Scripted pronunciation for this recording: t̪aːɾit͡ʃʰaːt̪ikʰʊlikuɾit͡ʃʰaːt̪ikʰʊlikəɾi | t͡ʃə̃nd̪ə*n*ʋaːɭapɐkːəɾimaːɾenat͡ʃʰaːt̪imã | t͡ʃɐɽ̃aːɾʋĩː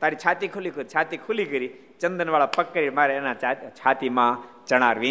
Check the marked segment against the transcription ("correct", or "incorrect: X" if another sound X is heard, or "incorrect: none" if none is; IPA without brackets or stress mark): correct